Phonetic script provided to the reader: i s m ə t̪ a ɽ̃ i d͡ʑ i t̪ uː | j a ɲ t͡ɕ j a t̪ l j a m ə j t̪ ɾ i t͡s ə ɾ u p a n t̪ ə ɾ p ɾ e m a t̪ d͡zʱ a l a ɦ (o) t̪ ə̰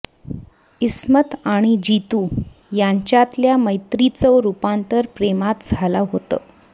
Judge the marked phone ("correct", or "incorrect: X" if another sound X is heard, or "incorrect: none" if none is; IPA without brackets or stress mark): correct